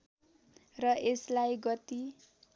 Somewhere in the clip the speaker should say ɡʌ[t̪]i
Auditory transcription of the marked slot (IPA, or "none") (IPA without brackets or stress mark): t̪